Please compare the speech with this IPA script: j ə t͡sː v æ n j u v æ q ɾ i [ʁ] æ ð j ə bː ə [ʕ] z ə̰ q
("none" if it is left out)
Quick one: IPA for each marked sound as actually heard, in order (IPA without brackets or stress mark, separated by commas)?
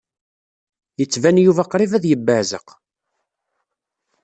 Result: v, ʕ